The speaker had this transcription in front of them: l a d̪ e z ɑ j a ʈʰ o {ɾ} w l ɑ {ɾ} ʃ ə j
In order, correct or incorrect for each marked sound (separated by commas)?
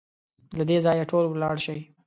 incorrect, incorrect